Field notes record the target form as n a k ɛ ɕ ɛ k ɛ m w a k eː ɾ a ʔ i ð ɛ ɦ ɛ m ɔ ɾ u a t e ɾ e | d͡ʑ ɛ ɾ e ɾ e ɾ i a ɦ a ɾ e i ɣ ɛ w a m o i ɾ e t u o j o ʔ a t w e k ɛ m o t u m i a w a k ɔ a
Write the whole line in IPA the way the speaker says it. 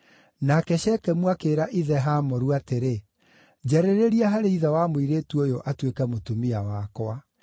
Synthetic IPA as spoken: n a k ɛ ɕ ɛ k ɛ m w a k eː ɾ a ʔ i ð ɛ ɦ a m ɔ ɾ u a t e ɾ e | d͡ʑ ɛ ɾ e ɾ e ɾ i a ɦ a ɾ e i ð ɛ w a m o i ɾ e t u o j o ʔ a t w e k ɛ m o t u m i a w a k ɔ a